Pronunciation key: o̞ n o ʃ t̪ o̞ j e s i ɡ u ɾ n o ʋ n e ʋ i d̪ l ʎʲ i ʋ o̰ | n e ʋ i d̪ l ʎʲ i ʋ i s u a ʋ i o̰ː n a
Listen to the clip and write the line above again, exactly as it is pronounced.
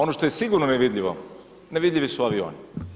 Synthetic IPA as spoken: o̞ n o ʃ t̪ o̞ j e s i ɡ u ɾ n o n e ʋ i d̪ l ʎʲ i ʋ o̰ | n e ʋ i d̪ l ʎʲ i ʋ i s u a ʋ i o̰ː n i